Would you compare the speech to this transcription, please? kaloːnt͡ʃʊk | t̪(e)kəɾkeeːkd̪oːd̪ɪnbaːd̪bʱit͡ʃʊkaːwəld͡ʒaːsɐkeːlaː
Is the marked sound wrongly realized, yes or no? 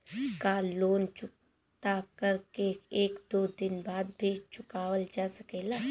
yes